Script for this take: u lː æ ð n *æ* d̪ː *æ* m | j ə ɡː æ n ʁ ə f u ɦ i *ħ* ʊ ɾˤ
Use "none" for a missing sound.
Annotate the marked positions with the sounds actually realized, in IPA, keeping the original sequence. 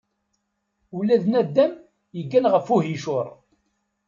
æ, æ, ʃ

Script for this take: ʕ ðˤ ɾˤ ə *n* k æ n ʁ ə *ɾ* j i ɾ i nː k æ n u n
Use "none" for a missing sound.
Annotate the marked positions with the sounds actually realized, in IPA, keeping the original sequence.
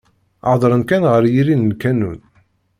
n, ɾ

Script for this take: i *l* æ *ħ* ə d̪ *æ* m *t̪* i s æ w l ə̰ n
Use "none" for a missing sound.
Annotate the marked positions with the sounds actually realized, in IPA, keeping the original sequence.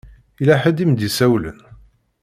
l, ħ, i, d̪

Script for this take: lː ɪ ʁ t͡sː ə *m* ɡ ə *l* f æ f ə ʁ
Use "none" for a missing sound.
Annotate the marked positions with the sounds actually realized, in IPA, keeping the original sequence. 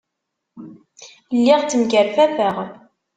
m, ɾ

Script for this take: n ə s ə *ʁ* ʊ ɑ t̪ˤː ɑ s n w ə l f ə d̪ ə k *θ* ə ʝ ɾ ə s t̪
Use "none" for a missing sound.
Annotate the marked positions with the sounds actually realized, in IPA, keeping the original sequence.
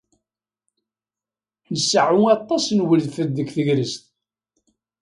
ʕ, θ

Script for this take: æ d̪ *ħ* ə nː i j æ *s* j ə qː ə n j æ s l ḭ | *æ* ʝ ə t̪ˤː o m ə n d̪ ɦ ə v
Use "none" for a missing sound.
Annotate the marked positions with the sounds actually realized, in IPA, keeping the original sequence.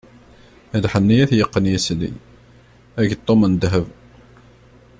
ħ, θ, æ

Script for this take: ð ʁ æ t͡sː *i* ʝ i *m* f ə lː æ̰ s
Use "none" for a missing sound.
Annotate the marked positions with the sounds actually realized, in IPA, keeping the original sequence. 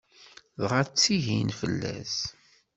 i, n

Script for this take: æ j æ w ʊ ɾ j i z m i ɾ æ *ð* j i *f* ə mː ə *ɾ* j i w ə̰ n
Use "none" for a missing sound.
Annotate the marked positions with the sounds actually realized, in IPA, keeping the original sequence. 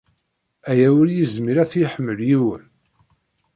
θ, ħ, l

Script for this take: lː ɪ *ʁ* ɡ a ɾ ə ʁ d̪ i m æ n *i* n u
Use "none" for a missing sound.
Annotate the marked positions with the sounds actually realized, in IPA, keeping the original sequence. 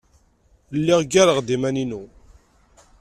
ʁ, i

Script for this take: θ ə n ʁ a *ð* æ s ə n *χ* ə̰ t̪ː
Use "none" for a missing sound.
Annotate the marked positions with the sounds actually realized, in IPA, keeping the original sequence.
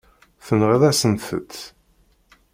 ð, θ

